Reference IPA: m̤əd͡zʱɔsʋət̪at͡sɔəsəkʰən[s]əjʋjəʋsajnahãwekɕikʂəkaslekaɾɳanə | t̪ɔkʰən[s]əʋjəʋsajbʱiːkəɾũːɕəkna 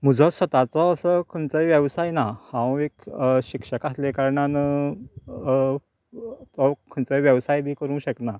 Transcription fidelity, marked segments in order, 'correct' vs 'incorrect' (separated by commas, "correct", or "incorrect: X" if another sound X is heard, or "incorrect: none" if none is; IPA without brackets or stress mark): incorrect: t͡s, incorrect: t͡s